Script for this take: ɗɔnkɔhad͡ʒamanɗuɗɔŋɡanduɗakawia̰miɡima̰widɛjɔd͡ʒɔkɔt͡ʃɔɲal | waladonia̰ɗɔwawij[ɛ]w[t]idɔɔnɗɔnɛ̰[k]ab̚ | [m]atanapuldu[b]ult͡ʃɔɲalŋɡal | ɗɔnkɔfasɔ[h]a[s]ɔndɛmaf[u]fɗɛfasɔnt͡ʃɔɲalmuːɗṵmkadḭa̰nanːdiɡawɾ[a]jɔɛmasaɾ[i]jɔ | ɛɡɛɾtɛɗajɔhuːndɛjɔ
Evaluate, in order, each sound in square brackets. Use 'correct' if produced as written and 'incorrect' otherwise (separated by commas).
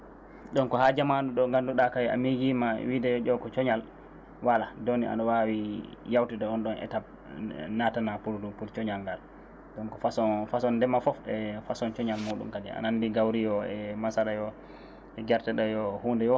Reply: incorrect, correct, incorrect, incorrect, incorrect, incorrect, correct, incorrect, incorrect, incorrect